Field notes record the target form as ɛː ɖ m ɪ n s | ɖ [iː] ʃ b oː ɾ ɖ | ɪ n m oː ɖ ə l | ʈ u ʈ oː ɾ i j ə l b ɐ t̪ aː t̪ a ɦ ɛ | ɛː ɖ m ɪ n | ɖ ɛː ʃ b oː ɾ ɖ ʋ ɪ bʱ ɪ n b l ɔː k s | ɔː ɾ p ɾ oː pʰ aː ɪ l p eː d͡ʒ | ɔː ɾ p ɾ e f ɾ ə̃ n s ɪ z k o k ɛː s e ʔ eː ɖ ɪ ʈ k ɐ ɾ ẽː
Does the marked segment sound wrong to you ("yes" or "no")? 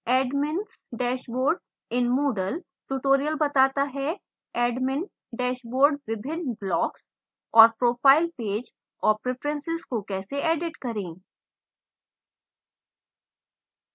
yes